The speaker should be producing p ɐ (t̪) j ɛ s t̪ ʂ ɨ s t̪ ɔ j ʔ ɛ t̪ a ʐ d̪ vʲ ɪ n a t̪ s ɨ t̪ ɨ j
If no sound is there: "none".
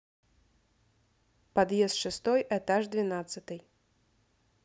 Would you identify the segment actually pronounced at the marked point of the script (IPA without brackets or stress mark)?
d̪